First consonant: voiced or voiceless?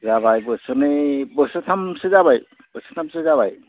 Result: voiced